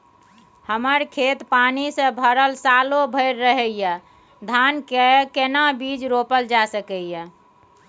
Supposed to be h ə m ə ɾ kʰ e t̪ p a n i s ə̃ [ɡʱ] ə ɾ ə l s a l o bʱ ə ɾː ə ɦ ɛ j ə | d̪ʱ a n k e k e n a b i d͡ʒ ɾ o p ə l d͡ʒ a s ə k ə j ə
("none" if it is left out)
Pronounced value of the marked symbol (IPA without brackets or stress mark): bʱ